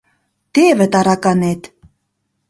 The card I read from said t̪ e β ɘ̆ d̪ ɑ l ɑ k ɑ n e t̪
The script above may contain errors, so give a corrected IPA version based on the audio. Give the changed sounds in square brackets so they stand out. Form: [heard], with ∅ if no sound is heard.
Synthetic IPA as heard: t̪ e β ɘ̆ [t̪] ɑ [ɾ] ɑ k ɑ n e t̪